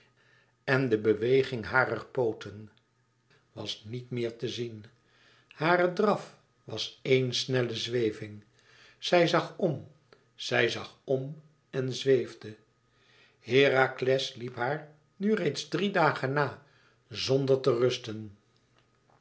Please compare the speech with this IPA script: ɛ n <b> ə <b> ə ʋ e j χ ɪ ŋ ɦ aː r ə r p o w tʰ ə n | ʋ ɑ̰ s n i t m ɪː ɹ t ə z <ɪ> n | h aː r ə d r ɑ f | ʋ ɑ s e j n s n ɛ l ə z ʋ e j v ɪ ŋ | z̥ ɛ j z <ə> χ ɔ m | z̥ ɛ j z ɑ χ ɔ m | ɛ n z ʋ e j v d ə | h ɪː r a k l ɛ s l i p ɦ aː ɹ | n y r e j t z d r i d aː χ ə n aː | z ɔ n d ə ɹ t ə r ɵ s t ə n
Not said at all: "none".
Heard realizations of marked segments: d, b, i, ɑ

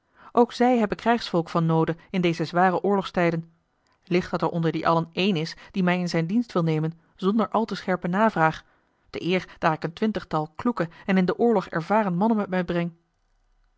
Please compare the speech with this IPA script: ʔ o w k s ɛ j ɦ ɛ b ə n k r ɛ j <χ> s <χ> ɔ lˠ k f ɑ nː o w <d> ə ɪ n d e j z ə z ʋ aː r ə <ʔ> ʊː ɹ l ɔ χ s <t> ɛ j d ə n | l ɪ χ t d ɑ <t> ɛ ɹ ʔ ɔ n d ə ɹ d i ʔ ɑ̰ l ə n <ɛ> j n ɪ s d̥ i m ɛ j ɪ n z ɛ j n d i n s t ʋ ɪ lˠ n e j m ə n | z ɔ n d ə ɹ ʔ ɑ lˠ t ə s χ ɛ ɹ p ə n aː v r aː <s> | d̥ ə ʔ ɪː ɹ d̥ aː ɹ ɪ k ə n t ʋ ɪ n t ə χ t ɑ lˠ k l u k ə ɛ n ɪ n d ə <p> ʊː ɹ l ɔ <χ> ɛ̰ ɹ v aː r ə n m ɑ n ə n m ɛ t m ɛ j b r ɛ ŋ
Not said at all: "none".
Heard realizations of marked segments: χ, f, d, ʔ, t, t, e, χ, ʔ, χ

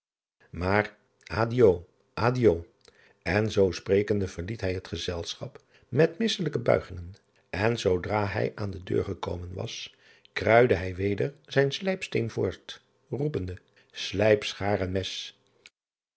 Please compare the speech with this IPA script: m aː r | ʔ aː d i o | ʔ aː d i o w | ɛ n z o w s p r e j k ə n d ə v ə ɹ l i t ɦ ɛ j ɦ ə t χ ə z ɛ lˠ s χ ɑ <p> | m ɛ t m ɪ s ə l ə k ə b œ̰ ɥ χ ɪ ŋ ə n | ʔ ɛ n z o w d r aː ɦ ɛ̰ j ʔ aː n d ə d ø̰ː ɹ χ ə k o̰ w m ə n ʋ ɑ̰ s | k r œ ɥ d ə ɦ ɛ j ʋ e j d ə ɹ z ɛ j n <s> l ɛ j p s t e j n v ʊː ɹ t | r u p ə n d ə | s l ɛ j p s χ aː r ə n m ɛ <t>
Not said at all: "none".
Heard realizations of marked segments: p, s, s

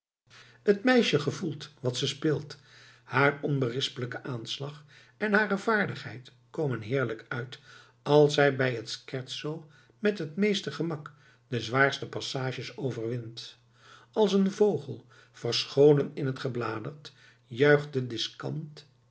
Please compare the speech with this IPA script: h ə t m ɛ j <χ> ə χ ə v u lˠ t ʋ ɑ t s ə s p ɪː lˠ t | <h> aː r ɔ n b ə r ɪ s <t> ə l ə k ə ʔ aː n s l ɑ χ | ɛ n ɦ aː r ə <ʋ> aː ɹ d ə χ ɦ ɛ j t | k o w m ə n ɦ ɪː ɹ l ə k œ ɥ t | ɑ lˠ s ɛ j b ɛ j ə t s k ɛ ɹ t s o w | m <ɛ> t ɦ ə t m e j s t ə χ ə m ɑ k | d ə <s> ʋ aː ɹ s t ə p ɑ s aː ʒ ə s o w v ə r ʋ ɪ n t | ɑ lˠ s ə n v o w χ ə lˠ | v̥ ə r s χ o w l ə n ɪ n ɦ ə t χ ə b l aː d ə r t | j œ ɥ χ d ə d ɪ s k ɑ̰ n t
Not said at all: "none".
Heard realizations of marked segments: ʃ, h, p, v, ɛ, z

